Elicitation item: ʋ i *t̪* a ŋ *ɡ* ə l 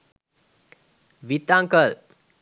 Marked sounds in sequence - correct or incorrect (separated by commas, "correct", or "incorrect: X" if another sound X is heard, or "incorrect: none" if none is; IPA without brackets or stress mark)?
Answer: correct, incorrect: k